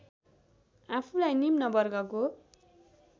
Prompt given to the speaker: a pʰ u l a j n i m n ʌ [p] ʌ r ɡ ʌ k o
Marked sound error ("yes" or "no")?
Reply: yes